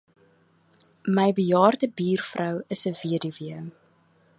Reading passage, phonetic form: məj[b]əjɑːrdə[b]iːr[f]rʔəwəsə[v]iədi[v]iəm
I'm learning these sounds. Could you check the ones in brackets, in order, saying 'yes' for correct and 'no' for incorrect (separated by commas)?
yes, yes, yes, yes, yes